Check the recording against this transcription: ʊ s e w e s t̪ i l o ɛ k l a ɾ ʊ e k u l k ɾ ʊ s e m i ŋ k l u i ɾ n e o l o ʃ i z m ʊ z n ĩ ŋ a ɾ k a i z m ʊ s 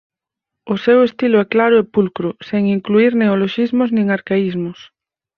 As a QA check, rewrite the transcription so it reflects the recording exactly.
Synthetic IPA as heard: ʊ s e w e s t̪ i l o ɛ k l a ɾ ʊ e p u l k ɾ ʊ s e ŋ i ŋ k l u i ɾ n e o l o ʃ i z m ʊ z n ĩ ŋ a ɾ k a i z m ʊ s